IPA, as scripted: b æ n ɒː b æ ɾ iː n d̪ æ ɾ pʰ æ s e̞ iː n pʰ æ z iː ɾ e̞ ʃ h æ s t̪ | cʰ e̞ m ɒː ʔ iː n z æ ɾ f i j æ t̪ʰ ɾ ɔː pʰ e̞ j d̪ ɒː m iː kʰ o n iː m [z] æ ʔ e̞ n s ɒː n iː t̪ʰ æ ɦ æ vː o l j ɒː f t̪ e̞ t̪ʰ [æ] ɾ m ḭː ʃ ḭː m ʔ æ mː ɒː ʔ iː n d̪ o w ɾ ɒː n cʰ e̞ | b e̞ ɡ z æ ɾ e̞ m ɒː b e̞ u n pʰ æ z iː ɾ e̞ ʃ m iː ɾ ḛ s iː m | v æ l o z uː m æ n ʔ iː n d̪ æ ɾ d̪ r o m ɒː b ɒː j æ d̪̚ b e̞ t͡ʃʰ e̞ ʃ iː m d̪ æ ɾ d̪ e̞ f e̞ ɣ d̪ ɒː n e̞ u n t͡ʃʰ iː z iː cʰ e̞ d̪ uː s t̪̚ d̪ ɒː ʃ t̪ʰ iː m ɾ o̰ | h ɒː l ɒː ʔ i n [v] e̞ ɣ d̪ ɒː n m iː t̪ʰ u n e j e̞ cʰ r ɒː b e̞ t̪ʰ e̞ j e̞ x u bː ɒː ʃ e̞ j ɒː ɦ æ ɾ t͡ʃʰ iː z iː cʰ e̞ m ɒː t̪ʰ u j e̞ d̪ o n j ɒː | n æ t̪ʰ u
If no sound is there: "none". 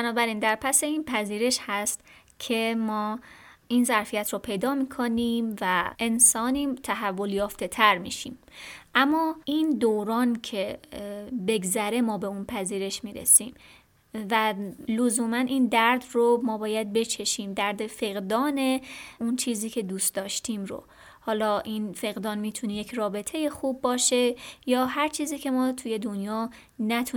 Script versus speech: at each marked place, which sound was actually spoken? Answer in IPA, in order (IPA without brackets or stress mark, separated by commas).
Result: v, æ, f